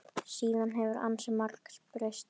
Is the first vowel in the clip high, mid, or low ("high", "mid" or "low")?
high